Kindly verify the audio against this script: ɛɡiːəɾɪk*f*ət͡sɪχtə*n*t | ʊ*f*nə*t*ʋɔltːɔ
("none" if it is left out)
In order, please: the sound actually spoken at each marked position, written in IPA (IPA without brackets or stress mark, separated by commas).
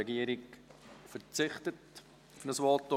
f, none, f, s